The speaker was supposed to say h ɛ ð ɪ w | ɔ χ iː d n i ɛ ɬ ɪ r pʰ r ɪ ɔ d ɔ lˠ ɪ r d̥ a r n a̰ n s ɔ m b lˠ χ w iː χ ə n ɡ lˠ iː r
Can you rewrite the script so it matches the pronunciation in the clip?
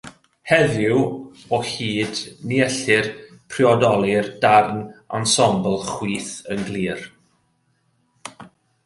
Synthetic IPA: h ɛ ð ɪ w | ɔ h iː d n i ɛ ɬ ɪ r pʰ r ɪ ɔ d ɔ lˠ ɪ r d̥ a r n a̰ n s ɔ m b lˠ χ w iː θ ə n ɡ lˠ iː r